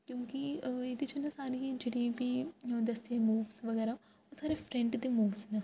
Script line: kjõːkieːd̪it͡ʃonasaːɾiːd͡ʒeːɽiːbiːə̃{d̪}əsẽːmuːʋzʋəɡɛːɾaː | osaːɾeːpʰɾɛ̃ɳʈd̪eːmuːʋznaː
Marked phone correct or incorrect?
correct